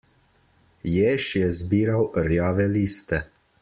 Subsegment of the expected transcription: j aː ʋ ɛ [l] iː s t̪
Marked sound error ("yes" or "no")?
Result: no